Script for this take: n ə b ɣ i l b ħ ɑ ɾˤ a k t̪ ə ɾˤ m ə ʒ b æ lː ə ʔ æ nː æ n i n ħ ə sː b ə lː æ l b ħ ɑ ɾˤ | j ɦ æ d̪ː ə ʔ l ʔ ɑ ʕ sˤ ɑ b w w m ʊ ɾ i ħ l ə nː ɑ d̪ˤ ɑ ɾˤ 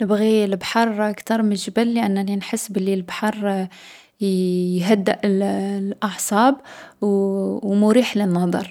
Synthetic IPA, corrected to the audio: n ə b ɣ i l b ħ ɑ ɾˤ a k t̪ ɑ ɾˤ m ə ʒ b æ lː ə ʔ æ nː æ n i n ħ ə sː b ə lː i l b ħ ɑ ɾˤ | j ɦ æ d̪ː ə ʔ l ʔ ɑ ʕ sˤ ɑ b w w m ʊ ɾ i ħ l ə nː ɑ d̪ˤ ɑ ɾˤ